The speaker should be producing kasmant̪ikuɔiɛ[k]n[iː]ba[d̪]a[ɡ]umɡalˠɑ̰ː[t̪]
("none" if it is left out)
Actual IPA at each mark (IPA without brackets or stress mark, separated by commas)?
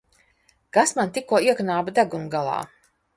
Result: k, aː, d̪, ɡ, none